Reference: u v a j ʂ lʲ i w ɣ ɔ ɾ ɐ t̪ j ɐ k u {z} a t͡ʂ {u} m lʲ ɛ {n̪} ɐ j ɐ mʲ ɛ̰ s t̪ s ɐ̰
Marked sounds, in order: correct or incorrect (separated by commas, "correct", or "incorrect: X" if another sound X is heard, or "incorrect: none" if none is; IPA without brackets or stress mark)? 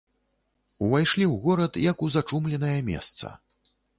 correct, correct, correct